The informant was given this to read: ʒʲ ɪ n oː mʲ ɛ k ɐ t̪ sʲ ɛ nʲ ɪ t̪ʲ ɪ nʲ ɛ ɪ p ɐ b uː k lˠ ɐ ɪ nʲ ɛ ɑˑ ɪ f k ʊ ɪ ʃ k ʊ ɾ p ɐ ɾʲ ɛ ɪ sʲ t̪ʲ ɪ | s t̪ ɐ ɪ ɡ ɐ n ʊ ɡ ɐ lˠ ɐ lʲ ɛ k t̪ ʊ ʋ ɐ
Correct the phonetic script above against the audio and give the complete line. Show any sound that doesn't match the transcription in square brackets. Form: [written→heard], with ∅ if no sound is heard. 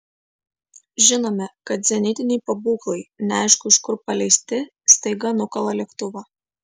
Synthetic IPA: ʒʲ ɪ n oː mʲ ɛ k ɐ t̪ [sʲ→zʲ] ɛ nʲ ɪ t̪ʲ ɪ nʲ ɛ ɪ p ɐ b uː k lˠ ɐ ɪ nʲ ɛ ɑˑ ɪ [f→ʃ] k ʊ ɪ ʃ k ʊ ɾ p ɐ [ɾʲ→lʲ] ɛ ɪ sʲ t̪ʲ ɪ | s t̪ ɐ ɪ ɡ ɐ n ʊ [ɡ→k] ɐ lˠ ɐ lʲ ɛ k t̪ ʊ ʋ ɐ